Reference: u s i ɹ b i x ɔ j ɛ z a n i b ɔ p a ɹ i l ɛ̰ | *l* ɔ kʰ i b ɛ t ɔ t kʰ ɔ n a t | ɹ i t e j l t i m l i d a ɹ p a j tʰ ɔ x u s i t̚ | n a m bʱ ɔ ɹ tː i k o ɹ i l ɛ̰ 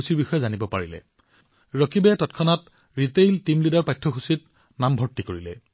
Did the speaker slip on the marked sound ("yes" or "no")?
yes